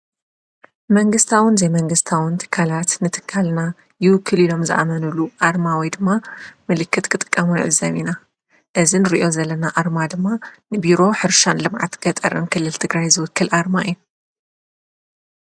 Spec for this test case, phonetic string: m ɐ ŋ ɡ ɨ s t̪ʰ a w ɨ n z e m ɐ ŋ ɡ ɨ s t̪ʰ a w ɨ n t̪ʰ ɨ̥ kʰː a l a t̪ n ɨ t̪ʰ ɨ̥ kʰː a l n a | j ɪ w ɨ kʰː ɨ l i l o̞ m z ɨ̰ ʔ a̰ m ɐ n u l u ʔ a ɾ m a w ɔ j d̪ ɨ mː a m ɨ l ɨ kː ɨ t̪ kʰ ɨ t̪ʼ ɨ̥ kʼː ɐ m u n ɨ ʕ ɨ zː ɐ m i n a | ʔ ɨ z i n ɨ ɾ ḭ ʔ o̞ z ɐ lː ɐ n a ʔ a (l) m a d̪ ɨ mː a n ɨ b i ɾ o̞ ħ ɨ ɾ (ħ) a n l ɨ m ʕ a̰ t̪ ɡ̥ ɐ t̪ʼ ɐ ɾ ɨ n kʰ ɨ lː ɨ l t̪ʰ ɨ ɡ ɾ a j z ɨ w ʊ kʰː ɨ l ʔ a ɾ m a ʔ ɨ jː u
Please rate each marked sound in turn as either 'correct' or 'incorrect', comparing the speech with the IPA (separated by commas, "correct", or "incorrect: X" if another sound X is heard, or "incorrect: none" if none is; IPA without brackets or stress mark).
incorrect: ɾ, incorrect: ʃ